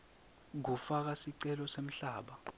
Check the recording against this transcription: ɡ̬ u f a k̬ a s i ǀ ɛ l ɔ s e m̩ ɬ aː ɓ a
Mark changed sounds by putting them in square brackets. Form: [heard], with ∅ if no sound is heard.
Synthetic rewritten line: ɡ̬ u f a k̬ a s i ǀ ɛ l ɔ s e m̩ ɬ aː ɓ a